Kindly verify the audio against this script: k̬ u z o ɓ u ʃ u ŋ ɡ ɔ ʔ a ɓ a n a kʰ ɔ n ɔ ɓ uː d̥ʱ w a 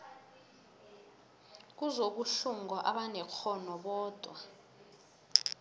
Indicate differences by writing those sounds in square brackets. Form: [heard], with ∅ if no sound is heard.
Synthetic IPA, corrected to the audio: k̬ u z o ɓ u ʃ u ŋ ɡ ɔ ʔ a ɓ a n [ɛ] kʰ ɔ n ɔ ɓ [ɔː] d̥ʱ w a